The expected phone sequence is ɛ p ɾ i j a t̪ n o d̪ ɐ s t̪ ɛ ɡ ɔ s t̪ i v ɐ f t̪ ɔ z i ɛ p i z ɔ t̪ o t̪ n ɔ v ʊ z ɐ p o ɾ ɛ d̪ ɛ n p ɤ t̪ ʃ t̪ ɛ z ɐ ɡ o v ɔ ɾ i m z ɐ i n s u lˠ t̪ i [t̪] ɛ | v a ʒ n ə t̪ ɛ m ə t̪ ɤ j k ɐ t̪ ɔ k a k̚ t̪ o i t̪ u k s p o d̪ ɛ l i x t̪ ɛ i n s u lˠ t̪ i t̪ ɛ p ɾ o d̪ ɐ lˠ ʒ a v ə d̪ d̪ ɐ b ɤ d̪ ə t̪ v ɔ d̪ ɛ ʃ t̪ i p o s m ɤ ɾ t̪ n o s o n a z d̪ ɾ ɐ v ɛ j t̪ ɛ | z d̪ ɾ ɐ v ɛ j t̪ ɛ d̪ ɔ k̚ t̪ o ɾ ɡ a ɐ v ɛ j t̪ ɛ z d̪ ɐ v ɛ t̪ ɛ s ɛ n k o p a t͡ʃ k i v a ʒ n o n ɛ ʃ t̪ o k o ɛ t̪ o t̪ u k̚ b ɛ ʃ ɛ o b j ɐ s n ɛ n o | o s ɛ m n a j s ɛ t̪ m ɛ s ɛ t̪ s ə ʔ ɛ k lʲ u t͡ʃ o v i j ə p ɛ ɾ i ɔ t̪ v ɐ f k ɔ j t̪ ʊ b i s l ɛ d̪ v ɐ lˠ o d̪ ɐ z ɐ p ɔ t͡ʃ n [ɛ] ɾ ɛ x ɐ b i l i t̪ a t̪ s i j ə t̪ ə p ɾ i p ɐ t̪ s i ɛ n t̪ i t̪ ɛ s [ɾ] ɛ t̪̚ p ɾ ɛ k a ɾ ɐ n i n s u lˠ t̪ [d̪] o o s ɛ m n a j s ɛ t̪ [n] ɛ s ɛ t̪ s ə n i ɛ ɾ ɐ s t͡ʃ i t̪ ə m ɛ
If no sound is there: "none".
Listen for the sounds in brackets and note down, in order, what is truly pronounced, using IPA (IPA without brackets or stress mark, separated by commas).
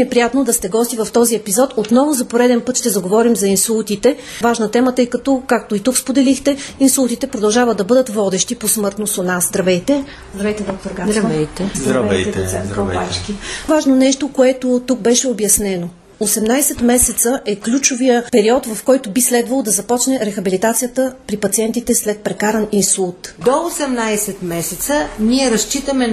t̪, ɛ, l, d̪, m